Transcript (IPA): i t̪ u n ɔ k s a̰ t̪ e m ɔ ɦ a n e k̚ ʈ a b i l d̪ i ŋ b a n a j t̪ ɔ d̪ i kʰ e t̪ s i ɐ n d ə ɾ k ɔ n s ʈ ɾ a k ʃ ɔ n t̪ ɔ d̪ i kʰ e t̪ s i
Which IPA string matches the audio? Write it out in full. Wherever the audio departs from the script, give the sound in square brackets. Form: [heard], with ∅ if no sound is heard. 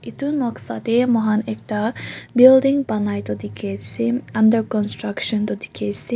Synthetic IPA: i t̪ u n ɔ k s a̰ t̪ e m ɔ ɦ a n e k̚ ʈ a b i l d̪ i ŋ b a n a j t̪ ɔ d̪ i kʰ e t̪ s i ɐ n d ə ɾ k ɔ n s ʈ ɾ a k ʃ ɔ n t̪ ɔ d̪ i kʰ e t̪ s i